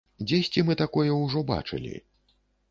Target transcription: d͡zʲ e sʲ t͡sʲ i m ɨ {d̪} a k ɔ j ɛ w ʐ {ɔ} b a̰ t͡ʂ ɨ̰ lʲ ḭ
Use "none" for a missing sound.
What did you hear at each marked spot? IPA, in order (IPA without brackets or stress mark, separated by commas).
t̪, ɔ